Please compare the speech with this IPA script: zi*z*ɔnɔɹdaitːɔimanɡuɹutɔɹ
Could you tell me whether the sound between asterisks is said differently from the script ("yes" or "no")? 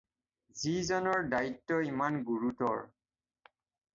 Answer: no